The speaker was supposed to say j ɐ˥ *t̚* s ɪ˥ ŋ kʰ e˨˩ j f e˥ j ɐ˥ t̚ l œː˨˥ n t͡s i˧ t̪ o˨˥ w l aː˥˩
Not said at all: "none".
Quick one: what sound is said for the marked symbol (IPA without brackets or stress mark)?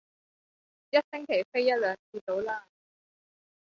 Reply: t̚